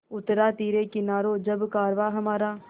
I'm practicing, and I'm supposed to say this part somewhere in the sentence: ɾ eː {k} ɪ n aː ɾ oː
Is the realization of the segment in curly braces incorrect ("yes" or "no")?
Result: no